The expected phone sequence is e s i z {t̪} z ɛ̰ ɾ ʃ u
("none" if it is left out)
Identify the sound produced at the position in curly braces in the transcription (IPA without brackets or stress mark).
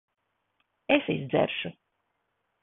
d̪